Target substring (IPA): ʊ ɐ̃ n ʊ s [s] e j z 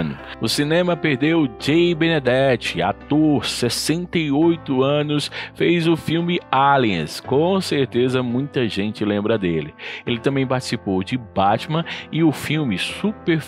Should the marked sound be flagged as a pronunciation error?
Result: yes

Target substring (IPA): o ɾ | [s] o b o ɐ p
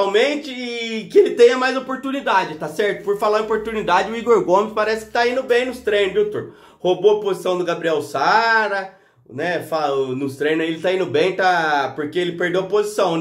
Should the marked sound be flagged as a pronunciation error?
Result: yes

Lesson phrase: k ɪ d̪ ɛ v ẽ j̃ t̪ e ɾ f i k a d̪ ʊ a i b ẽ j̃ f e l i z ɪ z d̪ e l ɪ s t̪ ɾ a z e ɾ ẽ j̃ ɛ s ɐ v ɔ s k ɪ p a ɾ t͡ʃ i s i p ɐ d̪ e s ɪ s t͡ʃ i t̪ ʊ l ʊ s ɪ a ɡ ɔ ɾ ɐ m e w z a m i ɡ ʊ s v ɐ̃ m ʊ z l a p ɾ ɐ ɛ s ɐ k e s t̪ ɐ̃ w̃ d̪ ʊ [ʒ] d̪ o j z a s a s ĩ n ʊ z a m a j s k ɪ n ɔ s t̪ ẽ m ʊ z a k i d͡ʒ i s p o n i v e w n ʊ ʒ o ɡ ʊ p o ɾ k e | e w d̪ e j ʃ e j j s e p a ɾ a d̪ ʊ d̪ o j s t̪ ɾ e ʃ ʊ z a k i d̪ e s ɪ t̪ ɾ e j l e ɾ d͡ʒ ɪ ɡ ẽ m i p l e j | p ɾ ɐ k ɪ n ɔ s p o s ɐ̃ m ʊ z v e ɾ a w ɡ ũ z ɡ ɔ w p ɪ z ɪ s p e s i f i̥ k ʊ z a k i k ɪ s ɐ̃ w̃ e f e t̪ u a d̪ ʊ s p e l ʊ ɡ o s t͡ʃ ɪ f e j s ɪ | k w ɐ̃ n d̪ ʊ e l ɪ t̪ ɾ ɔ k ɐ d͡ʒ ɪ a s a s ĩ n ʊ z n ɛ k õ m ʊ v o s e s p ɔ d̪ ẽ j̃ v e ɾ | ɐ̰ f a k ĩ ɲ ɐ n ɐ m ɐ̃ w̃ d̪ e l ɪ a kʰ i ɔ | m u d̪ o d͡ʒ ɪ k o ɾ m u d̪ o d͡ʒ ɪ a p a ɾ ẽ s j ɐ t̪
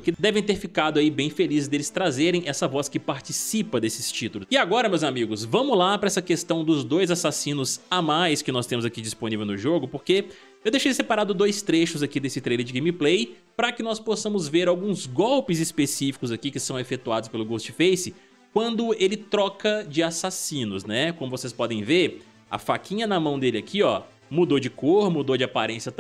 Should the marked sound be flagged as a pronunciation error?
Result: yes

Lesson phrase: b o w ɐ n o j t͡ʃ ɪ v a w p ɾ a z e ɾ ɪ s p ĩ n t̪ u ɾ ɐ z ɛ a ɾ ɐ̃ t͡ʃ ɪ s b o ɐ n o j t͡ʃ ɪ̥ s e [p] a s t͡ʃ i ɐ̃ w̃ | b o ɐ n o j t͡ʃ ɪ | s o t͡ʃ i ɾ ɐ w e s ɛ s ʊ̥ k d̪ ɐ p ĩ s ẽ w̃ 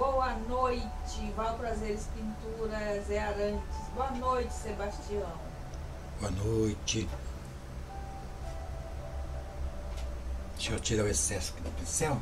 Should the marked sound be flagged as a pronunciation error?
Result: yes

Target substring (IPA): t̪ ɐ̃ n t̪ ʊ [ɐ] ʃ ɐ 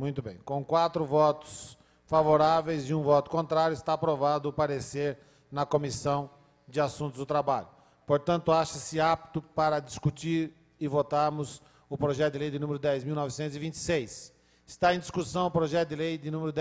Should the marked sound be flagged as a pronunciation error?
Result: yes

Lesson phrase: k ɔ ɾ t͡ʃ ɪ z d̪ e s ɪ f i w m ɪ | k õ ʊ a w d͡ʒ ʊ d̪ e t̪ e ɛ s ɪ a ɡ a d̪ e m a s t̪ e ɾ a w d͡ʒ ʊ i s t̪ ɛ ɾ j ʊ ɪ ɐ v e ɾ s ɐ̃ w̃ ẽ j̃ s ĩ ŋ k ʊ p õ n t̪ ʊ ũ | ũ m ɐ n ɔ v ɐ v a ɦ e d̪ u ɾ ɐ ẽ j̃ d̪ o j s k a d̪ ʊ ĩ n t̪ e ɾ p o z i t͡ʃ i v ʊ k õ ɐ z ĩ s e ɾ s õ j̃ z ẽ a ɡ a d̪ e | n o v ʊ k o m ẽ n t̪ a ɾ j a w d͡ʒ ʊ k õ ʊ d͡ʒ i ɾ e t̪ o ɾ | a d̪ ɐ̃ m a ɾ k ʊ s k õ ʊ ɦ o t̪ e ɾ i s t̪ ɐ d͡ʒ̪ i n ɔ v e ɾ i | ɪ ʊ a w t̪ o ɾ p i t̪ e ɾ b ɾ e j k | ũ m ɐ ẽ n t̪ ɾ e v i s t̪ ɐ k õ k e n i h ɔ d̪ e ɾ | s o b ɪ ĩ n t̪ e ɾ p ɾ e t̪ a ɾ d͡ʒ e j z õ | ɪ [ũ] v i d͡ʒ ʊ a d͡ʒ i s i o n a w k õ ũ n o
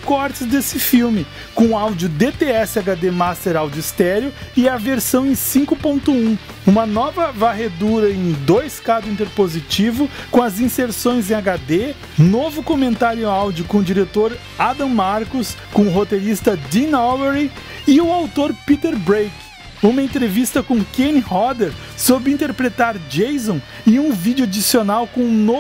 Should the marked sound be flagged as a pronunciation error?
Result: no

